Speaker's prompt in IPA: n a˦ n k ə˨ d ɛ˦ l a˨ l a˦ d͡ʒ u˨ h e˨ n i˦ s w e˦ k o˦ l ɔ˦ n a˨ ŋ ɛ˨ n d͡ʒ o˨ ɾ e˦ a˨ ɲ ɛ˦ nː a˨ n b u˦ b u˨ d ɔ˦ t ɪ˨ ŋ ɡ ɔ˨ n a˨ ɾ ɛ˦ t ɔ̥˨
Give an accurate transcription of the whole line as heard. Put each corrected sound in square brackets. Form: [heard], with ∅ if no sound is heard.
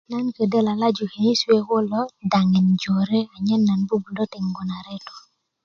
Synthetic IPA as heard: n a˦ n k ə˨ d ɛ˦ l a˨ l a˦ d͡ʒ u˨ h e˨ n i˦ s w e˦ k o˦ l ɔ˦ [d] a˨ ŋ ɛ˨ n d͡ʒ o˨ ɾ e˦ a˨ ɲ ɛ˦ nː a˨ n b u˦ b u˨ d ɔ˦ t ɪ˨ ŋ ɡ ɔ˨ n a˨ ɾ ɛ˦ t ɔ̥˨